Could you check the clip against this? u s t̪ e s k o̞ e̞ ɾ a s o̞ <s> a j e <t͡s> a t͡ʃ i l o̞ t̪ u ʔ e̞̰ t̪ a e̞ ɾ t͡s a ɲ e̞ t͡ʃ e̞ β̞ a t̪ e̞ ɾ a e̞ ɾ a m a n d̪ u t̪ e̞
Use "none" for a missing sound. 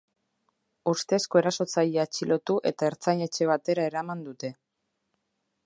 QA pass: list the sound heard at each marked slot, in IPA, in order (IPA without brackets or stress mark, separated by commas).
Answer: t͡s, none